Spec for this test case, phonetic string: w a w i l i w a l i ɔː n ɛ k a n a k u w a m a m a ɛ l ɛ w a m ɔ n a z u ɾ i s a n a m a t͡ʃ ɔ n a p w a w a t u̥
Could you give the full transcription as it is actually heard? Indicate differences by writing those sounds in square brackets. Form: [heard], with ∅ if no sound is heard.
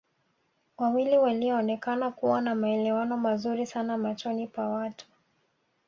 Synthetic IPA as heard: w a w i l i w a l i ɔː n ɛ k a n a k u w a [n] a m a ɛ l ɛ w a [n] ɔ [m] a z u ɾ i s a n a m a t͡ʃ ɔ n [i] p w a w a t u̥